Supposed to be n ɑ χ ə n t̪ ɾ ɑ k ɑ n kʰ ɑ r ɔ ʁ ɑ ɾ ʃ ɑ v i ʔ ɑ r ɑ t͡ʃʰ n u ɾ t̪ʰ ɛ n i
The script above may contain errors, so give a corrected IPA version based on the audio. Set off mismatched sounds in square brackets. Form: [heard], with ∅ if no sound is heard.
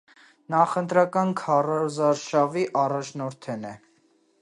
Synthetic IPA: n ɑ χ ə n t̪ ɾ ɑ k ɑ n kʰ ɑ r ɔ [z] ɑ ɾ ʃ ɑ v i ʔ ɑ r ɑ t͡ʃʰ n [ɔ] ɾ t̪ʰ ɛ n [ɛ]